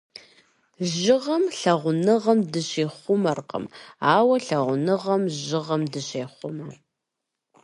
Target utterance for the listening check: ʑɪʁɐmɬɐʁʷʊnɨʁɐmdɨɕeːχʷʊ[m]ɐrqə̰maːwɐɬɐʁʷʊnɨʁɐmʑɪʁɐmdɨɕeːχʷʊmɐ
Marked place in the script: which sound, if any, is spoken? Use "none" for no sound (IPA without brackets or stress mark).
m